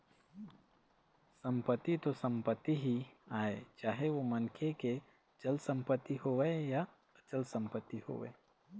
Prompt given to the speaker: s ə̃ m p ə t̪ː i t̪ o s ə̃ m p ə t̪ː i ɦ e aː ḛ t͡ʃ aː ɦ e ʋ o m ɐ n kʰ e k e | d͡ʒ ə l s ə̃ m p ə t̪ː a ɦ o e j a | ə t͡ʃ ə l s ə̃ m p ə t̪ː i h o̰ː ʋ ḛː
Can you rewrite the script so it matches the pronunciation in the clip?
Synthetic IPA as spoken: s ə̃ m p ə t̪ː i t̪ o s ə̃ m p ə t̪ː i ɦ i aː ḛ t͡ʃ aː ɦ e ʋ o m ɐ n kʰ e k e | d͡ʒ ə l s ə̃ m p ə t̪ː i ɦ o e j a | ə t͡ʃ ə l s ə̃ m p ə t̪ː i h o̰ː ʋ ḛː